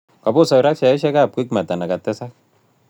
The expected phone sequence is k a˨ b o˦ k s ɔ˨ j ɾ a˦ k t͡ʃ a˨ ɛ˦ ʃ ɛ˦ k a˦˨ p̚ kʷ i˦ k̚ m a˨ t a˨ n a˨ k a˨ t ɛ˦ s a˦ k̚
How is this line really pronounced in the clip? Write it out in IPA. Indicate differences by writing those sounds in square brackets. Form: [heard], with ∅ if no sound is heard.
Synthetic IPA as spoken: k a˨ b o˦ [∅] s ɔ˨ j ɾ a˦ k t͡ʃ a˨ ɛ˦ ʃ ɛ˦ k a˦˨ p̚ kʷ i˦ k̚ m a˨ t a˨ n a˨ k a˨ t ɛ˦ s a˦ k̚